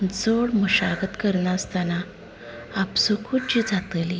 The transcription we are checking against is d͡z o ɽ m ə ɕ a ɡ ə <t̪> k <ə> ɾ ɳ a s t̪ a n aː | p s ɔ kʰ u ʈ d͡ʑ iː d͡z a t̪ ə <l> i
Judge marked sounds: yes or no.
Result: yes, yes, yes

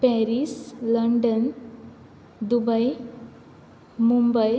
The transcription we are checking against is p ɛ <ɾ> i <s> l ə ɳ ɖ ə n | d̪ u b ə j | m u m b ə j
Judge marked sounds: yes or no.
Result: yes, yes

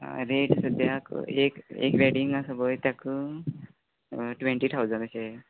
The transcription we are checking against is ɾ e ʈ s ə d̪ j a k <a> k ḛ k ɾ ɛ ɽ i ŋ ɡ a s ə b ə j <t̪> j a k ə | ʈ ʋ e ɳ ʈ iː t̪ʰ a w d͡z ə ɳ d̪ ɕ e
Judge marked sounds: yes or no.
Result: no, yes

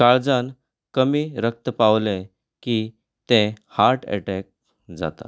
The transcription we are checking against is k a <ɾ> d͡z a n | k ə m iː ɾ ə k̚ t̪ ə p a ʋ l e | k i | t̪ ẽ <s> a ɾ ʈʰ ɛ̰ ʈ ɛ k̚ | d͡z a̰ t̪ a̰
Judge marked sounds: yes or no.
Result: no, no

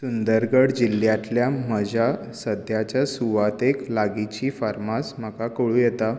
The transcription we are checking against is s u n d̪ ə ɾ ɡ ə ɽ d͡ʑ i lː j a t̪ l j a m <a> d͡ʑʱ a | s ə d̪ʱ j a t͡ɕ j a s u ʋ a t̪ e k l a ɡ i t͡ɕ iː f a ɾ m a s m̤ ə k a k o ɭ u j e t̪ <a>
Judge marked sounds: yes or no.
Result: no, yes

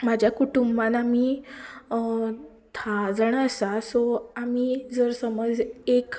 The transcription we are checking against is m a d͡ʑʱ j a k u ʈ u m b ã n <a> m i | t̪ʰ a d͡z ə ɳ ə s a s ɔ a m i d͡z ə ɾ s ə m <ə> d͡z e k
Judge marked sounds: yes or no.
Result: yes, yes

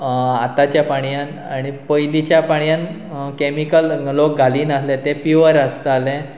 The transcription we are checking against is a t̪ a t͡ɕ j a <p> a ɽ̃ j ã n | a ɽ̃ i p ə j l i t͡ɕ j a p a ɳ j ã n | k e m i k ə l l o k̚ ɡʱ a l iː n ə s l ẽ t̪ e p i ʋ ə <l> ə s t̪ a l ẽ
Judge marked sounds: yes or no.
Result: yes, no

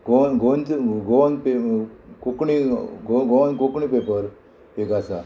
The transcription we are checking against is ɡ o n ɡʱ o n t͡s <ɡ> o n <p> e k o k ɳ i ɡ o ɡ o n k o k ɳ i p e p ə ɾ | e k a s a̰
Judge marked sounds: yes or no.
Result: yes, yes

